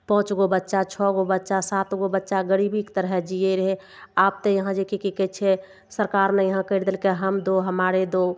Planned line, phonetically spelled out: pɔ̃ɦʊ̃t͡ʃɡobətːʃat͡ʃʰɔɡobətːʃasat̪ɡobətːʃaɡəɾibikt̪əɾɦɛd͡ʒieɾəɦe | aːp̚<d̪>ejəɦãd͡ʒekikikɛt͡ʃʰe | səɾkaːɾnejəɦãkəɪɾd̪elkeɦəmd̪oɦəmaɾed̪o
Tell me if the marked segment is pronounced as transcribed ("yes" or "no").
no